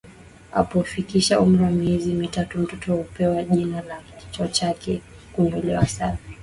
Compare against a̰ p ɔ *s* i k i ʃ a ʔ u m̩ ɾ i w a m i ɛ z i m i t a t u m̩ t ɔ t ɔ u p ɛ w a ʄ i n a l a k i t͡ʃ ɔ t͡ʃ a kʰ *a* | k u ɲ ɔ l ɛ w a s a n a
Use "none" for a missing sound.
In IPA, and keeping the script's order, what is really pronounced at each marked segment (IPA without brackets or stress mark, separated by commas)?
f, ɛ